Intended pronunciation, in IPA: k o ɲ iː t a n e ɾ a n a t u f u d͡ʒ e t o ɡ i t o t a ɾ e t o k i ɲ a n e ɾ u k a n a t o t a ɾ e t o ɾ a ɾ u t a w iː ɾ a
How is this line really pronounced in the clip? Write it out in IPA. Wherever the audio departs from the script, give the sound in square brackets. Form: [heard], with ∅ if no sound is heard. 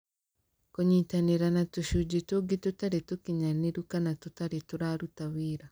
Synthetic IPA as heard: k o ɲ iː t a n e ɾ a n a t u [ʃ] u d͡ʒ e t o ɡ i t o t a ɾ e t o k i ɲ a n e ɾ u k a n a t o t a ɾ e t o ɾ a ɾ u t a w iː ɾ a